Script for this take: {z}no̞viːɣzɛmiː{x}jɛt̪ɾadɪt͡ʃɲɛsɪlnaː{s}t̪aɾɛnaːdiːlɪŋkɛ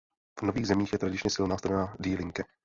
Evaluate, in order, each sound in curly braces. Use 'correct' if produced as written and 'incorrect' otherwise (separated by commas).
incorrect, correct, correct